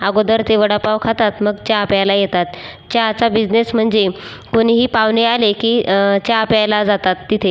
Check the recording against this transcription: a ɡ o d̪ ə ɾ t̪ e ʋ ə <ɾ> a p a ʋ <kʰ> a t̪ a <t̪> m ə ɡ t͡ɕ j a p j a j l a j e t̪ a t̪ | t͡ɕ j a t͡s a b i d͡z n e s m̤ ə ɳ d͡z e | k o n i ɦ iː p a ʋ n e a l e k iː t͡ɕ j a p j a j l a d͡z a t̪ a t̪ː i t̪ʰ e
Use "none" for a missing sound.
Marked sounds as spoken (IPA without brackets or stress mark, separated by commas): ɽ, kʰ, t̪